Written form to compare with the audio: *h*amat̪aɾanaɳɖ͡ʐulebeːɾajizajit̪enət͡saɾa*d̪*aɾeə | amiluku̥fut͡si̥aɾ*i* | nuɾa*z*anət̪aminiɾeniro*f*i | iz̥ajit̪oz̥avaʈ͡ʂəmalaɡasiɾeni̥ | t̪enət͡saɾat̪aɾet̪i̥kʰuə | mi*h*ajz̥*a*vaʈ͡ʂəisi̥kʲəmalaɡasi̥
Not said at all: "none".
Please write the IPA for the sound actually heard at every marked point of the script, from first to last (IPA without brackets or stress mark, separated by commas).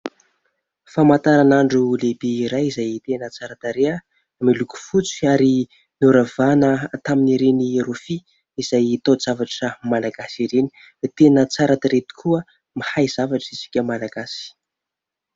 f, t̪, i, v, f, h, a